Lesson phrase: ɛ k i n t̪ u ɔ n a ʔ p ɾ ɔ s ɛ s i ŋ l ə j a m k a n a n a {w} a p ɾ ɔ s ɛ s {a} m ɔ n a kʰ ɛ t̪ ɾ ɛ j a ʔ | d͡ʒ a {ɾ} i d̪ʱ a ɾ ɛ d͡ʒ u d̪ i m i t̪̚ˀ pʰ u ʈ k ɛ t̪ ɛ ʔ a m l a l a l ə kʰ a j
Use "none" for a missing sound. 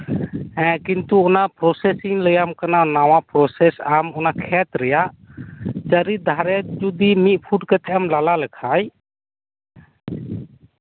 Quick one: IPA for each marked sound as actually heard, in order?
w, a, ɾ

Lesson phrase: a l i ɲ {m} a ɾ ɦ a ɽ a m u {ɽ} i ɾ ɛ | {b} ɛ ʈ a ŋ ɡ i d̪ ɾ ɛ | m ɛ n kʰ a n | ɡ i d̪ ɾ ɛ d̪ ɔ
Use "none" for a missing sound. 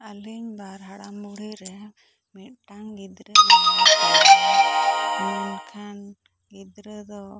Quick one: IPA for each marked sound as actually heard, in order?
b, ɽ, m

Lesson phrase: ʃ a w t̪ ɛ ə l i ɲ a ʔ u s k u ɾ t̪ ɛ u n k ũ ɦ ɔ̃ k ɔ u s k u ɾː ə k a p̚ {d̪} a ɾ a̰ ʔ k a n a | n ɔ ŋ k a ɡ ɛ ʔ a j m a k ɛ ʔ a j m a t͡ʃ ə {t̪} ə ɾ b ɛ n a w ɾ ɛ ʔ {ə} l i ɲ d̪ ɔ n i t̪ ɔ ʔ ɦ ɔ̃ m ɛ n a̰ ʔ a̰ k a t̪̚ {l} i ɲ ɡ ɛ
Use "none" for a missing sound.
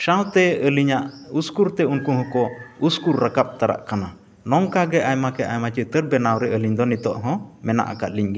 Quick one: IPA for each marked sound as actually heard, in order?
t̪, t̪, ə, l

